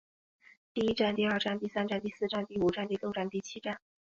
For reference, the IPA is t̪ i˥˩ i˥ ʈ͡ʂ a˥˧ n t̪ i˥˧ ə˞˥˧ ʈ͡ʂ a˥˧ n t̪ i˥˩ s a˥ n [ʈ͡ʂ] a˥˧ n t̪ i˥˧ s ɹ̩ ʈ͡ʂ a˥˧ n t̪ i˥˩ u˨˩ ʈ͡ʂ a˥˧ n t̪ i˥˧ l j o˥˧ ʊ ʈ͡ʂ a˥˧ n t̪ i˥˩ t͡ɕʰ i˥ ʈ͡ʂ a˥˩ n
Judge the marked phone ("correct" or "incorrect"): correct